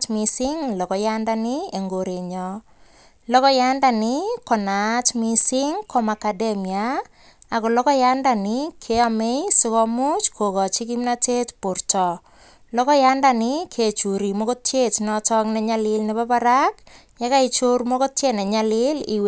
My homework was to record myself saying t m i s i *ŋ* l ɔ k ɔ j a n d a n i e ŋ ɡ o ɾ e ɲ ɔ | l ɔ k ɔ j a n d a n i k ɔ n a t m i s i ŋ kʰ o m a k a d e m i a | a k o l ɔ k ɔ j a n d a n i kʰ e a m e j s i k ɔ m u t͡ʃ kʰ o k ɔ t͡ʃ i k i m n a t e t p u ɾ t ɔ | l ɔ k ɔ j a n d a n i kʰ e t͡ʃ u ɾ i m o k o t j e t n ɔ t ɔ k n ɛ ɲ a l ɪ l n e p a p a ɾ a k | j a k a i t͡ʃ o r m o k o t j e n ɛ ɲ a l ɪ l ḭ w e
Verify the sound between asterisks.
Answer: correct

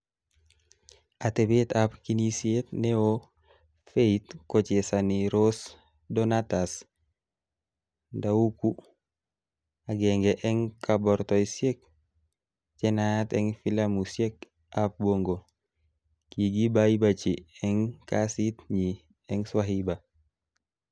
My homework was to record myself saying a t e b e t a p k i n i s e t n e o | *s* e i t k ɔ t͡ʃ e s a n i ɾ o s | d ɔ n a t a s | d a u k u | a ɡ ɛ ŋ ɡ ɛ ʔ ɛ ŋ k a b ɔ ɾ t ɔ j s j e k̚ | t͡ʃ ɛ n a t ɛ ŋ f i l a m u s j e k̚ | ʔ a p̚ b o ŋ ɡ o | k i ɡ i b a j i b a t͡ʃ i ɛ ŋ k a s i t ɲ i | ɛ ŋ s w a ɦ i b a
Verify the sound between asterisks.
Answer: incorrect: f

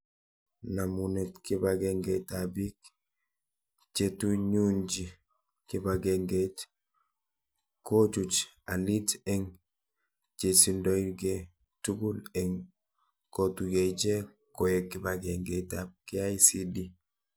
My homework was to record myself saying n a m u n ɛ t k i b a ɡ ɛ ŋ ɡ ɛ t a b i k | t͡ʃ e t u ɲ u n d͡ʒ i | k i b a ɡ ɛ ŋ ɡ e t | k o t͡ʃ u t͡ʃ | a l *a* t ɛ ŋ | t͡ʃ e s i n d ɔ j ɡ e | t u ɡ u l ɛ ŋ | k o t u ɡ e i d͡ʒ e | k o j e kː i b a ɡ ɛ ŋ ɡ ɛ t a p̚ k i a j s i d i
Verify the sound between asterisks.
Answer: incorrect: i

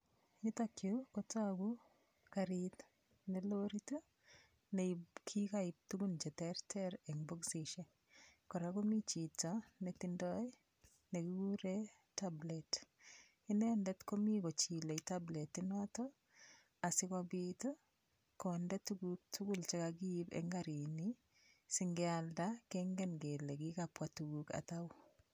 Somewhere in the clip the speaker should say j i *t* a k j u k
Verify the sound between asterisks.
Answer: correct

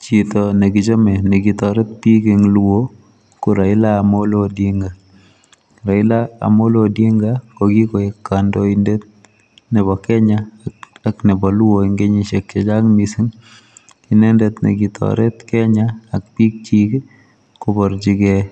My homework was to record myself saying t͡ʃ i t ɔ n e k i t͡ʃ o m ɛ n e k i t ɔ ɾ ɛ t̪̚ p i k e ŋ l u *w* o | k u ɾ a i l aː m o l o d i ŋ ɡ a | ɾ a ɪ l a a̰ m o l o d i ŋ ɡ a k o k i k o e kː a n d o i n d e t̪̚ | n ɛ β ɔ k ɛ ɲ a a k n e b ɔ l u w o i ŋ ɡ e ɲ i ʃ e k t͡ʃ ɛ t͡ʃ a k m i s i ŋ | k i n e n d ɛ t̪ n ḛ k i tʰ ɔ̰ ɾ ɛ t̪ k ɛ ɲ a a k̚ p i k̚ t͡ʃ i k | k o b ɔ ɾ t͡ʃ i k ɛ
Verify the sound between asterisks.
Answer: correct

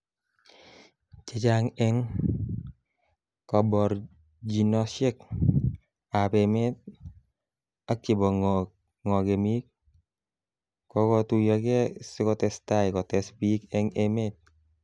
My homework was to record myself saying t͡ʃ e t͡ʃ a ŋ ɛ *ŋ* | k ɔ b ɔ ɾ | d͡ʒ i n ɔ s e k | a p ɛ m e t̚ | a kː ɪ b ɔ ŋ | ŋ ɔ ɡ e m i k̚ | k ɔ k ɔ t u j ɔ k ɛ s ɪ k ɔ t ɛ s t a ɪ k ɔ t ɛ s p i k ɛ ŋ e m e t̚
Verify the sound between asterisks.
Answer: correct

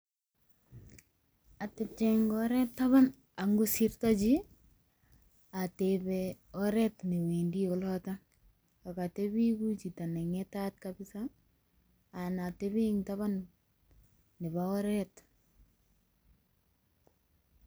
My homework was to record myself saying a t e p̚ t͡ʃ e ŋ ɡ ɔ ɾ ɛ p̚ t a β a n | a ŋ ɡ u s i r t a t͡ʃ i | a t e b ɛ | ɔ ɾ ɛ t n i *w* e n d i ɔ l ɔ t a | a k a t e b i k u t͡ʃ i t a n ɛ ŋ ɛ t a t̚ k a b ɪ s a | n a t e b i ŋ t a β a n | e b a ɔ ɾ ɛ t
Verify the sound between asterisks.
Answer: correct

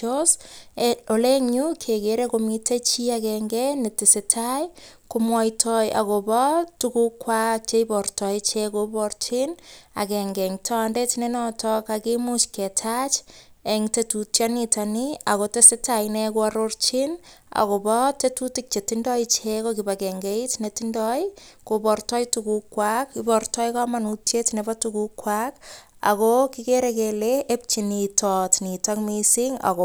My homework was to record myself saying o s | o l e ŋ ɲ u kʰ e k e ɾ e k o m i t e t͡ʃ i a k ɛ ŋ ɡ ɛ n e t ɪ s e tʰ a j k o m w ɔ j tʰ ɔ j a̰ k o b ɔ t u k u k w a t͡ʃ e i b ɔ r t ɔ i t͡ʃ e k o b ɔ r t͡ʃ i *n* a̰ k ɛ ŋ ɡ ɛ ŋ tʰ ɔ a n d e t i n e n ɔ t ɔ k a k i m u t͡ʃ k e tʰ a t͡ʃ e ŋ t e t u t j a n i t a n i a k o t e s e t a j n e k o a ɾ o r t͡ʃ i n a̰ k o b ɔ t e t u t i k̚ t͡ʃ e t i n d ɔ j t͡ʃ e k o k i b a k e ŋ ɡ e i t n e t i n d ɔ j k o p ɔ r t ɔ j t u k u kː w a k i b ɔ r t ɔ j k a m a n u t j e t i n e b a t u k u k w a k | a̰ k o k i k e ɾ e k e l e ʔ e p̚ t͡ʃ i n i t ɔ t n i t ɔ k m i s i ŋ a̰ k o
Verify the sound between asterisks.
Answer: correct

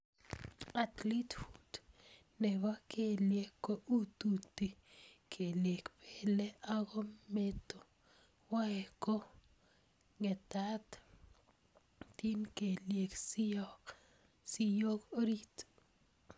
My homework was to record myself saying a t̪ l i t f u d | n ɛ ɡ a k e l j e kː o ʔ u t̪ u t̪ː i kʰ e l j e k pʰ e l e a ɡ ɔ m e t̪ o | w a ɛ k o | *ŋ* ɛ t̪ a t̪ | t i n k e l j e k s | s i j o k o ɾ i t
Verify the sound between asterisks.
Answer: correct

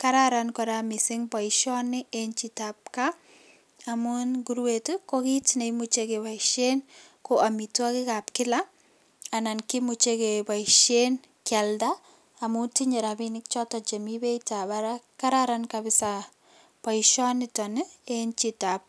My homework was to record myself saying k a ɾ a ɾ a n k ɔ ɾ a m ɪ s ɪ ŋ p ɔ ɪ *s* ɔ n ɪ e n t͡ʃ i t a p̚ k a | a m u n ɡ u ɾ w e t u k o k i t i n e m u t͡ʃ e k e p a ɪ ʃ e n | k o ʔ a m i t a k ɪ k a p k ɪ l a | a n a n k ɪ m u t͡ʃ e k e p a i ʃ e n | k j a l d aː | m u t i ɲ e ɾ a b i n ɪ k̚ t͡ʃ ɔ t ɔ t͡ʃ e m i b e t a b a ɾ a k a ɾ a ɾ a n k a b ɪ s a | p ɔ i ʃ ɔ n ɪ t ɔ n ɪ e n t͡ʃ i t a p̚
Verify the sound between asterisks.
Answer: incorrect: ʃ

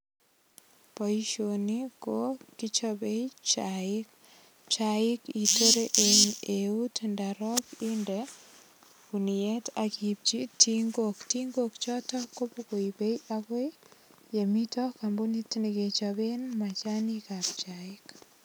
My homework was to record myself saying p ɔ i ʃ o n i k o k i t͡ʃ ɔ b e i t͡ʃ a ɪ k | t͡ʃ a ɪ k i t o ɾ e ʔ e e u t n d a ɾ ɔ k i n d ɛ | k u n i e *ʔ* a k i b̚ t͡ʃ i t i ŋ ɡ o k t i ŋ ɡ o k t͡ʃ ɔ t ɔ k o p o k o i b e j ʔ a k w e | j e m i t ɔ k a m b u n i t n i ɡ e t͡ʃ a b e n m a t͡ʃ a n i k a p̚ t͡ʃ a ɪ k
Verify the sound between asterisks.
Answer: incorrect: t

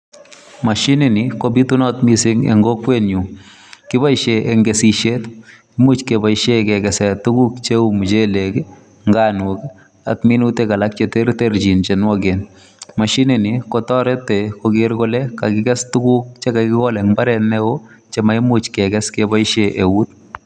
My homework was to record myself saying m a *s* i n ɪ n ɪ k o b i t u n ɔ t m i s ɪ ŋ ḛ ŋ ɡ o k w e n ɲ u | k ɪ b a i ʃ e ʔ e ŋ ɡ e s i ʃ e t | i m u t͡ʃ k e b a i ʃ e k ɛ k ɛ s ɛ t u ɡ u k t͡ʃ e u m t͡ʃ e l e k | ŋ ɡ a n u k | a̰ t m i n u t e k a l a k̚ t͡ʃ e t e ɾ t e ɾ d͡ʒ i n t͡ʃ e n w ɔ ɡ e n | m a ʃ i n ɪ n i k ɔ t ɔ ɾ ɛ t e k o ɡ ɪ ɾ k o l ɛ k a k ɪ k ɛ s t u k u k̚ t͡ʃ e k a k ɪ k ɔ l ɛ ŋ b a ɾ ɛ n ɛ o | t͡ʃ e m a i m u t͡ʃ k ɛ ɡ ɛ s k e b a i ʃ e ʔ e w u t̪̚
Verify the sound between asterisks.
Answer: incorrect: ʃ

